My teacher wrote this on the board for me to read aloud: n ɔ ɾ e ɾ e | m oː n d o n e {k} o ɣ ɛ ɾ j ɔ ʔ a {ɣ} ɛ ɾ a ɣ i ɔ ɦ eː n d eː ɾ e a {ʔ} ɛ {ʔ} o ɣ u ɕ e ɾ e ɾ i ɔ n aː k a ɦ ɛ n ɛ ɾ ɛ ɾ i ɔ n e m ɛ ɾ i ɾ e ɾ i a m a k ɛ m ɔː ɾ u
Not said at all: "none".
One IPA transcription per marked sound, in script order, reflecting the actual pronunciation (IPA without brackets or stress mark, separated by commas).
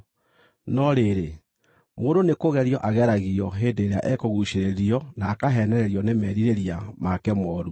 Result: k, ɣ, ʔ, k